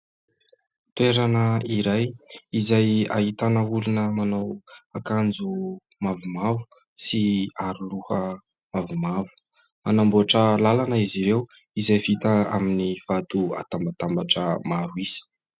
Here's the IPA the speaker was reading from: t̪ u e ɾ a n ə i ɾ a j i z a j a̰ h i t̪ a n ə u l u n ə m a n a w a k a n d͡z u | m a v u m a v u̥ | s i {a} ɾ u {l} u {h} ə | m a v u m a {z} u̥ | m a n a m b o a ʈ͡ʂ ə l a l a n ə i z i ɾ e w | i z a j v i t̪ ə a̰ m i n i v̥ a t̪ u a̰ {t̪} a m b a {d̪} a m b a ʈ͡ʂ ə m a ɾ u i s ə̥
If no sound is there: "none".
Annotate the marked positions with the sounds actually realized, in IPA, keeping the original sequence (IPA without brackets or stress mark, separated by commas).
a, l, h, v, t̪, t̪